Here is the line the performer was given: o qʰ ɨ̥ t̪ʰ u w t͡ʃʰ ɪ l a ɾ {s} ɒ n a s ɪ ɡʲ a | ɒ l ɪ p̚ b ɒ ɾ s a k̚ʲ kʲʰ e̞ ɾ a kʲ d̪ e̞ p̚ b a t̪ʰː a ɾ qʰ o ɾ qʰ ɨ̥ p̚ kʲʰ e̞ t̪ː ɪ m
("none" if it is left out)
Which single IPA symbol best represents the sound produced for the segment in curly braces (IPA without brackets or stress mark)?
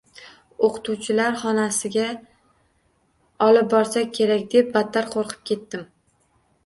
χ